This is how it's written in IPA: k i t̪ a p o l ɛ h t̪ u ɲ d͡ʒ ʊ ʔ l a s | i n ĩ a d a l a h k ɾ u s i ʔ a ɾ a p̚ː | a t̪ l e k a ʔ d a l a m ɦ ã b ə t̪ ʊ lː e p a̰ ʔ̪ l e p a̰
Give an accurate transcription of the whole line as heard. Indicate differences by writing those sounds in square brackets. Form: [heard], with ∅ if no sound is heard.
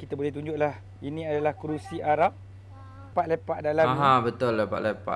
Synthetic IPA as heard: k i t̪ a [b] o l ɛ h t̪ u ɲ d͡ʒ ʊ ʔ l a [h] | i n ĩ a d a l a h k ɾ u s i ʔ a ɾ a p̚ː | a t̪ l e [p] a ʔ d a l a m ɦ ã b ə t̪ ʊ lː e p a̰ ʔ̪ l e p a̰